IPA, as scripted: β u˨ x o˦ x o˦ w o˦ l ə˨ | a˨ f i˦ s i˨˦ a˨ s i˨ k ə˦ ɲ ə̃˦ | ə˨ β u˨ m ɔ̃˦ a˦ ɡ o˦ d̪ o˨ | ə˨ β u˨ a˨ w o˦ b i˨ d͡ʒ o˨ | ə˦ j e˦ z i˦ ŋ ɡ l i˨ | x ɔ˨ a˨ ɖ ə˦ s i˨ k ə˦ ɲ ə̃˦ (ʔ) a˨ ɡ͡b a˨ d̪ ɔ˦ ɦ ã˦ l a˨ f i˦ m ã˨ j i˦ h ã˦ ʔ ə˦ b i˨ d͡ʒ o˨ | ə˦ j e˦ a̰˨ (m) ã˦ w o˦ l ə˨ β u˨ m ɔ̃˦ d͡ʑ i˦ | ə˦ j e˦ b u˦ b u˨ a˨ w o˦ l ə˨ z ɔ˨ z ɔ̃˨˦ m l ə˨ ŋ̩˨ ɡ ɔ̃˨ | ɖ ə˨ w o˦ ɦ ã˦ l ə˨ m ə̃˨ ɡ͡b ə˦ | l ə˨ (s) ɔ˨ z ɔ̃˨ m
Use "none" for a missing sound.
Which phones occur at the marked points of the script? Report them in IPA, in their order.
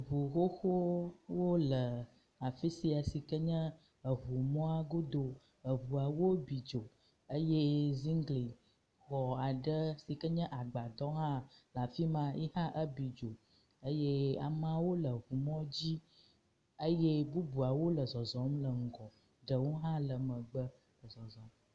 ʔ, m, z

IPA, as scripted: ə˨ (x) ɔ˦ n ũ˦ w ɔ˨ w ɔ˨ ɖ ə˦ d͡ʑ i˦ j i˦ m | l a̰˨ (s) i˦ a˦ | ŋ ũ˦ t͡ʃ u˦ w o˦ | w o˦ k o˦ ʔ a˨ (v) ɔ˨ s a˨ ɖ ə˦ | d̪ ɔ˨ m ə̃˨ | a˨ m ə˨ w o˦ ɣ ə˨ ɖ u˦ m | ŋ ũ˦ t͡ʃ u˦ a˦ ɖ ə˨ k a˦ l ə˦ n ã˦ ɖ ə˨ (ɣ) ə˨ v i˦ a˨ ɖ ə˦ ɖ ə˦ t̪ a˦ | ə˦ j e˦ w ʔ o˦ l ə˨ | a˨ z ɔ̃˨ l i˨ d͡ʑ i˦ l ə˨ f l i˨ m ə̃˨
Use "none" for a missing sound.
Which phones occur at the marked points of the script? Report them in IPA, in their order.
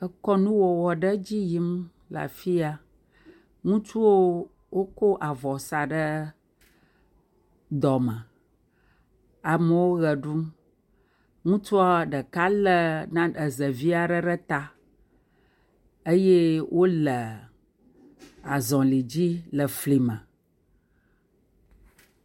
k, f, v, z

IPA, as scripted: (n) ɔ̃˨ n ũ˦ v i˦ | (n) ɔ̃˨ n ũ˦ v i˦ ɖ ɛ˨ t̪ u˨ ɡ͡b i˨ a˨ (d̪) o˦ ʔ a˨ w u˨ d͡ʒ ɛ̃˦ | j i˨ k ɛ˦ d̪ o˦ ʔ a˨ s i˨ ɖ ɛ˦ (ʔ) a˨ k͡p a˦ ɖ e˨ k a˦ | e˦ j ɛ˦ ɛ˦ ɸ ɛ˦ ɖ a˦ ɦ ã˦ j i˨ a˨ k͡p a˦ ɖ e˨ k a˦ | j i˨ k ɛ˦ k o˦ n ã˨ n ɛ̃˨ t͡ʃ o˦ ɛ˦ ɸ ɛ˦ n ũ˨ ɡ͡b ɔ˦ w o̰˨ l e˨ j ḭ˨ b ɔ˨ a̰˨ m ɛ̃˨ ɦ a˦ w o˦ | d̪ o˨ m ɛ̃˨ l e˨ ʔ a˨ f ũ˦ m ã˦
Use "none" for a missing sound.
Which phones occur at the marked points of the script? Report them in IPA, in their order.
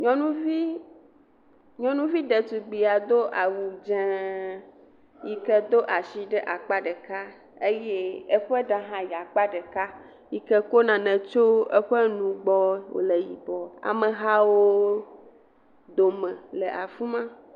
ɲ, ɲ, d̪, ʔ

